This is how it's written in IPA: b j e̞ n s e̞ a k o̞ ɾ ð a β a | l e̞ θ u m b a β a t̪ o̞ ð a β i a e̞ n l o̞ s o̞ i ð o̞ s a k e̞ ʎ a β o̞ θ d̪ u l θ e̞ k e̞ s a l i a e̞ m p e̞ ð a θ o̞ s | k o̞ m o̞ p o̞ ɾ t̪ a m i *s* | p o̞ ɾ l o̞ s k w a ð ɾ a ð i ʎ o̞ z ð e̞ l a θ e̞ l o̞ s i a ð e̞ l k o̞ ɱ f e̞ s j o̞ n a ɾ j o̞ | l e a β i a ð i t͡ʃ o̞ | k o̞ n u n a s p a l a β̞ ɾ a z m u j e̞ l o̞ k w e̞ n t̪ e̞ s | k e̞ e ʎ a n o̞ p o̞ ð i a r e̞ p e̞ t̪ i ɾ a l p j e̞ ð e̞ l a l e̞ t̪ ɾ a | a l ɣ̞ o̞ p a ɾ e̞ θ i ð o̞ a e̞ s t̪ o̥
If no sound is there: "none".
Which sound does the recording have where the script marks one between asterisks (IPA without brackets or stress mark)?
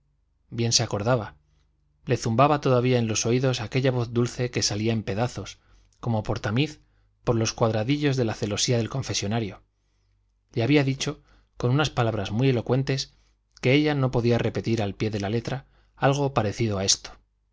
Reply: θ